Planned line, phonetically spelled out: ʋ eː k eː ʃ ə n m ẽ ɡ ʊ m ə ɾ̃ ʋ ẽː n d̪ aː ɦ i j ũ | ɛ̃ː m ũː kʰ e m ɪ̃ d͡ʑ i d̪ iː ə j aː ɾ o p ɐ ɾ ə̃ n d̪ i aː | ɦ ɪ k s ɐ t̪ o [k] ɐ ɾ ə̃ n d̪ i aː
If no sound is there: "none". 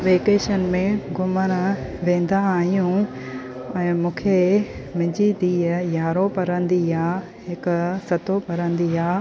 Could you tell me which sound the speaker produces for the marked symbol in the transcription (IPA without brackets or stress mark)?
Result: p